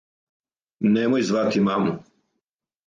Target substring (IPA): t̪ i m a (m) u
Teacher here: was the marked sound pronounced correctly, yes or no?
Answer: yes